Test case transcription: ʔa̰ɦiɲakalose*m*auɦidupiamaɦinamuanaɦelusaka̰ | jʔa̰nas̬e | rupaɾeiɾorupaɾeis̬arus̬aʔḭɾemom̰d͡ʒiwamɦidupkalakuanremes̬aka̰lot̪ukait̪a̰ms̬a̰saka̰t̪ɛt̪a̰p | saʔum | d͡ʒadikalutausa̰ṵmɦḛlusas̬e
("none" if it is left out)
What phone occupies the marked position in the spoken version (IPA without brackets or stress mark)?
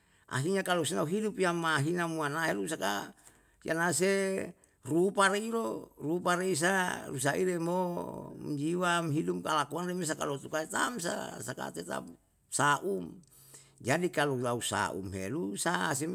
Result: n